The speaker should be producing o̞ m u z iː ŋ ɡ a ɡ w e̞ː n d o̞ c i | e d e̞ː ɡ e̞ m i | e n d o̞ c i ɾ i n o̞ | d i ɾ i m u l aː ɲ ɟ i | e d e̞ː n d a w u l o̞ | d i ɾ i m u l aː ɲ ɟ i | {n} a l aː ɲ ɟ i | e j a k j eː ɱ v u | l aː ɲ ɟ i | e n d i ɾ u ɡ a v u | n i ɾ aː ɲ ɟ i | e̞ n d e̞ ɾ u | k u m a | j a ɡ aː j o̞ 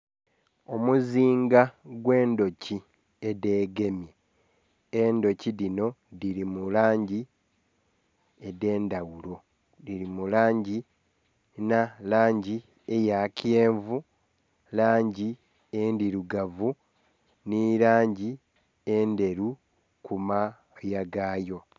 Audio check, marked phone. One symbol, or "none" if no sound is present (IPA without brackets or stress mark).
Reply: n